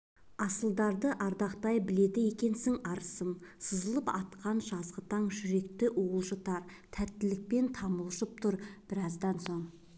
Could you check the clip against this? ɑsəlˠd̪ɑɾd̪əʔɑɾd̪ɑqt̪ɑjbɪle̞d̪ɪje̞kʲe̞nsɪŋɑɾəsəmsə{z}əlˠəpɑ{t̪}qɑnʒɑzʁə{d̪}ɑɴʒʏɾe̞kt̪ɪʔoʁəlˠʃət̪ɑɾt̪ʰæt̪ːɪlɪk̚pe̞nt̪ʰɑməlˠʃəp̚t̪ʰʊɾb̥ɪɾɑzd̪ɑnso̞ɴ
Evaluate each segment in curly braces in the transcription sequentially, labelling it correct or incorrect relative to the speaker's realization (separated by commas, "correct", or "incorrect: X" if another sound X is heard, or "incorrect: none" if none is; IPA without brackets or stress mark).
correct, correct, incorrect: t̪